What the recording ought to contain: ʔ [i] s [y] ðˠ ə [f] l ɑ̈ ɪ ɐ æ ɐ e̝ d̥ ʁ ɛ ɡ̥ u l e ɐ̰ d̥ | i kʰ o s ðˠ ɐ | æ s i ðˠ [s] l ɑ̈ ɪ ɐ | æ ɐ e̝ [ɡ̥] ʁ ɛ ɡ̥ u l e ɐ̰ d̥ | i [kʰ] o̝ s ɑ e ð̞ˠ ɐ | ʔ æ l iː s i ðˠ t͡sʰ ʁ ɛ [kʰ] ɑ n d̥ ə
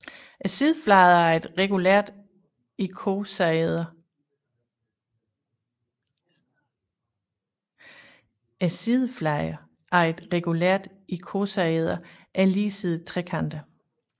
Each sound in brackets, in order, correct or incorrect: incorrect, incorrect, correct, incorrect, incorrect, correct, correct

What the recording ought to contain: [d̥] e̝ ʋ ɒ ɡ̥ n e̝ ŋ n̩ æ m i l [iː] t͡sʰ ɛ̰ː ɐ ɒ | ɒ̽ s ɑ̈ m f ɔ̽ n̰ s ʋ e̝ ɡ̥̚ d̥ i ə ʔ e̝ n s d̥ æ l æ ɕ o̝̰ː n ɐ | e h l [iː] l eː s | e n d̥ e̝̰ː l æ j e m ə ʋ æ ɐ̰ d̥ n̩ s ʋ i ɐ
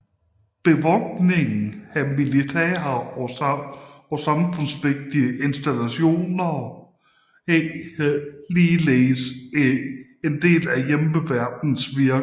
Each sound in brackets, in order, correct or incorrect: incorrect, incorrect, correct

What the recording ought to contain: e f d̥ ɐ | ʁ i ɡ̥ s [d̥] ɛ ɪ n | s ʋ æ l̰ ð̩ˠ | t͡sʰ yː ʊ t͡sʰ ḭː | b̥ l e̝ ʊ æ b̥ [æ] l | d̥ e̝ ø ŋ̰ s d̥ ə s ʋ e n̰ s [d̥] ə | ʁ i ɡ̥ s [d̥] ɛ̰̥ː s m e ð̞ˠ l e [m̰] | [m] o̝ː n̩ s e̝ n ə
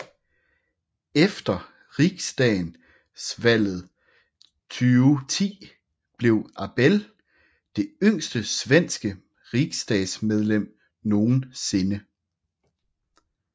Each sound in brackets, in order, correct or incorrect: correct, incorrect, incorrect, correct, correct, incorrect

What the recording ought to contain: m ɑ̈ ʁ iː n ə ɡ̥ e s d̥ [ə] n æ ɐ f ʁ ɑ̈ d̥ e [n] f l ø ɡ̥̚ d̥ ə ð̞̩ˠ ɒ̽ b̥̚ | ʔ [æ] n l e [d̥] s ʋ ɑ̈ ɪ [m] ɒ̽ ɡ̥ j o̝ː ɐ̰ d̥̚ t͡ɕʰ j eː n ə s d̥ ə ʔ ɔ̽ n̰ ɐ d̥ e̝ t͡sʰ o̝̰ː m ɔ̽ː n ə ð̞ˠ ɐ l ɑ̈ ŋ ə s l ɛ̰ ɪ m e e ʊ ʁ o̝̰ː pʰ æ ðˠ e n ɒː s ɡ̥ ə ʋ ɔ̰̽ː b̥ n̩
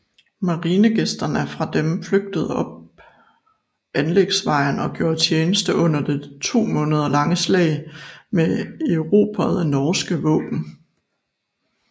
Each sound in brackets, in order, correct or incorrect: incorrect, incorrect, correct, incorrect, incorrect

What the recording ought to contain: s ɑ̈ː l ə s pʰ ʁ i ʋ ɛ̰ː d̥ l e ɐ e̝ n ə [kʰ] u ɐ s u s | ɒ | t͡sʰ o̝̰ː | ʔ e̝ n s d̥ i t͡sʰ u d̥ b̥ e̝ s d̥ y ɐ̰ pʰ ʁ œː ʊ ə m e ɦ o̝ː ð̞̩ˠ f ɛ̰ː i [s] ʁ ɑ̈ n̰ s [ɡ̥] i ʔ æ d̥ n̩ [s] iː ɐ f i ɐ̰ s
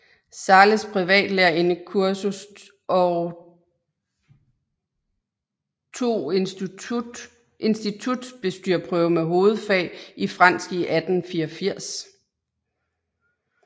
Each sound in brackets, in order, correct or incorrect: correct, incorrect, correct, incorrect

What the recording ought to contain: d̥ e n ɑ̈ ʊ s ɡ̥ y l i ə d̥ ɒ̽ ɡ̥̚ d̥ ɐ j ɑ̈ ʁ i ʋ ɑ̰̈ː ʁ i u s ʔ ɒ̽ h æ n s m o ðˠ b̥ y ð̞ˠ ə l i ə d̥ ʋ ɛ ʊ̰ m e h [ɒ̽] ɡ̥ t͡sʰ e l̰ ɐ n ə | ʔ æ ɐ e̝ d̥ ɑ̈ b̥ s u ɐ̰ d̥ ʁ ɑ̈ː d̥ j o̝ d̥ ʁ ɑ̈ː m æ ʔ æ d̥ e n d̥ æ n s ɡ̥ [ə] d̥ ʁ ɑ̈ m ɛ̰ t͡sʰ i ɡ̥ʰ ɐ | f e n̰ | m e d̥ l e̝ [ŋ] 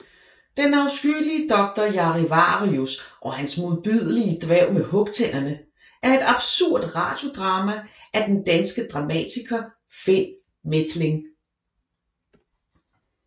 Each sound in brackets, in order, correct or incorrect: incorrect, correct, correct

